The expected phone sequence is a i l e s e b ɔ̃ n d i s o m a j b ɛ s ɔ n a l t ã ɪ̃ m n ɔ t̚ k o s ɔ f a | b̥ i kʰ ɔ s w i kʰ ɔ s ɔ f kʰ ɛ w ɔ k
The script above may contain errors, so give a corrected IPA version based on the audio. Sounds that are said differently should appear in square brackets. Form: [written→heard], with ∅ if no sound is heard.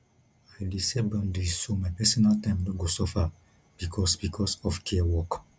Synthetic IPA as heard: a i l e s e b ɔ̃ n d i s o m a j [b→p] ɛ s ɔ n a l t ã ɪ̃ m n ɔ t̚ [k→ɡ] o s ɔ f a | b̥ i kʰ ɔ s [w→b] i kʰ ɔ s ɔ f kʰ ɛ w ɔ k

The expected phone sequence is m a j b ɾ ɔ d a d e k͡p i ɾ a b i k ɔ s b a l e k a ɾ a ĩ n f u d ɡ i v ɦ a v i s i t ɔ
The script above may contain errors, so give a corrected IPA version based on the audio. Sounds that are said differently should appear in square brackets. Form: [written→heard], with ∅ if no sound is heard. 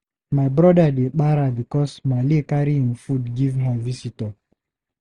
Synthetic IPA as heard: m a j b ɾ ɔ d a d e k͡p [i→a] ɾ a b i k ɔ s [b→m] a l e k a ɾ [a→i] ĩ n f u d ɡ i v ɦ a v i s i t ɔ

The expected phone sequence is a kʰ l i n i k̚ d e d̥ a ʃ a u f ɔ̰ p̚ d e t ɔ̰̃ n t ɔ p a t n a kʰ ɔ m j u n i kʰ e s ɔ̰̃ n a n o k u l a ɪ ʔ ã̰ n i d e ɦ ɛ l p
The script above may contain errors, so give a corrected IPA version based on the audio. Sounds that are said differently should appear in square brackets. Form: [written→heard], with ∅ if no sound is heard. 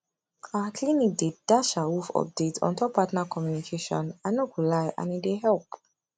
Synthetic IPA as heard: a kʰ l i n i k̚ d e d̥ a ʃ a u f ɔ̰ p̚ d e t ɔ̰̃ n t ɔ p a t n a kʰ ɔ m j u n i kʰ e [s→ʃ] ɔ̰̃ n a n o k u l a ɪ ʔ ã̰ n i d e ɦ ɛ l p

